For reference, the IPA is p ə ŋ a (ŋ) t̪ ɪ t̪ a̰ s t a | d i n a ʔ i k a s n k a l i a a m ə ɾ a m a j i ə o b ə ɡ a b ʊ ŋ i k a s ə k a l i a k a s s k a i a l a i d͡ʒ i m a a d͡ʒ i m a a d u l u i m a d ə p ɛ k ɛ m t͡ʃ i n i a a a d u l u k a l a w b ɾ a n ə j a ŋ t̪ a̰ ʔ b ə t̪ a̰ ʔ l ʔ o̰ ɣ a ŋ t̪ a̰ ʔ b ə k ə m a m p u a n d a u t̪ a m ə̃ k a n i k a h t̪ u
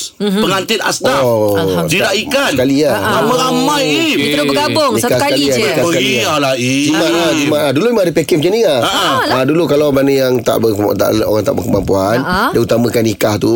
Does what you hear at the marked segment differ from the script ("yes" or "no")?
yes